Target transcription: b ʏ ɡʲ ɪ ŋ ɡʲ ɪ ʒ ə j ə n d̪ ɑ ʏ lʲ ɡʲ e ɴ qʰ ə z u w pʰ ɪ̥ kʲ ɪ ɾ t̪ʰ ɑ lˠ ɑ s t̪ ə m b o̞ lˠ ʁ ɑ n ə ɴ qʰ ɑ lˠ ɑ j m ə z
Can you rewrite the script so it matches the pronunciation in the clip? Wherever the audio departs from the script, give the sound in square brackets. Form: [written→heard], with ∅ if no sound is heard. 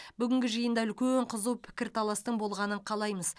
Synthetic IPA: b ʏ ɡʲ ɪ ŋ ɡʲ ɪ ʒ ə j ə n d̪ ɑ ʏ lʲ [ɡʲ→kʲ] e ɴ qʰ ə z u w pʰ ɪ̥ kʲ ɪ ɾ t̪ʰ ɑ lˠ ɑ s t̪ ə [m→ɴ] b o̞ lˠ ʁ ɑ n ə ɴ qʰ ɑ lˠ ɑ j m ə z